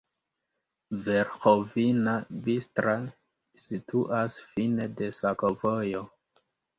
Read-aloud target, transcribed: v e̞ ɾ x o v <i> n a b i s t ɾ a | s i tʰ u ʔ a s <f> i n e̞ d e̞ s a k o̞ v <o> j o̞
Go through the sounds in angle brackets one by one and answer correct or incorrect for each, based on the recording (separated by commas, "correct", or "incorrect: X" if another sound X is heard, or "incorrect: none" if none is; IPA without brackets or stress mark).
correct, correct, correct